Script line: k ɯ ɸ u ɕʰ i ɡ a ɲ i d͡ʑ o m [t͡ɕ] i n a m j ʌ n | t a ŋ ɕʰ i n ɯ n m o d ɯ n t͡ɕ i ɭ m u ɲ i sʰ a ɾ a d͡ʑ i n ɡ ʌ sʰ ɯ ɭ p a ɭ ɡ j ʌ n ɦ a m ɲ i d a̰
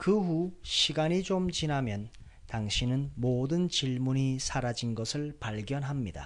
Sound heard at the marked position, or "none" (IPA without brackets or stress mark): t͡ɕ